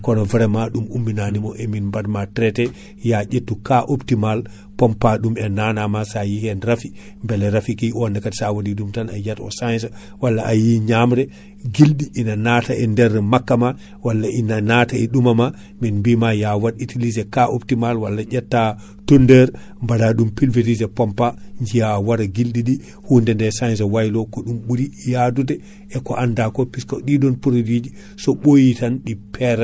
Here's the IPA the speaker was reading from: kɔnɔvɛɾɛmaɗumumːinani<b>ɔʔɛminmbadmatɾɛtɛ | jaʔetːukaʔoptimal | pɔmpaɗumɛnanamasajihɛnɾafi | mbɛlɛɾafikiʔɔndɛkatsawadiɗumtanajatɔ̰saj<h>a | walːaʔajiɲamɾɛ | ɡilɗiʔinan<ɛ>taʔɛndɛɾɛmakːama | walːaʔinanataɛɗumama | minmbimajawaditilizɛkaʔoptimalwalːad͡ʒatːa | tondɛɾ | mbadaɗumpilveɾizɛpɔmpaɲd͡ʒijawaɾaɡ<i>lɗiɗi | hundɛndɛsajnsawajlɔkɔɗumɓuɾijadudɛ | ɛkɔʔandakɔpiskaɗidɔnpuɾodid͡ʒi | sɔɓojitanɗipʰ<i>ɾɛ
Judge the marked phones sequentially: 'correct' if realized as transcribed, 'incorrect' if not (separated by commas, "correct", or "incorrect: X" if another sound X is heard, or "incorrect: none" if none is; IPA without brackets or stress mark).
incorrect: m, incorrect: s, incorrect: a, correct, incorrect: ɛ